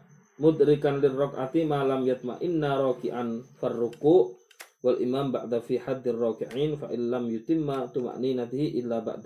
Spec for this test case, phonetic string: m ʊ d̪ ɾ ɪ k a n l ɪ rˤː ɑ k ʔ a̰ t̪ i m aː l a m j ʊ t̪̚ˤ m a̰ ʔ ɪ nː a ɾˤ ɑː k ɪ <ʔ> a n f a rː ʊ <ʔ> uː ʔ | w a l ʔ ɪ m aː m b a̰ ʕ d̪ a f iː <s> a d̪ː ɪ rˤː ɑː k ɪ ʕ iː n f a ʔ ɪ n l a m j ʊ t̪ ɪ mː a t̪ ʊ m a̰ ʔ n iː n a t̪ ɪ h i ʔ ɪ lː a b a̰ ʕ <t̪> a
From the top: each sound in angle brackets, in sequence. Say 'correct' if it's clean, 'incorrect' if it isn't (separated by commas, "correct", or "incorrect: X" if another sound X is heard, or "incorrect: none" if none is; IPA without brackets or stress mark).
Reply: correct, incorrect: k, incorrect: ħ, incorrect: d̪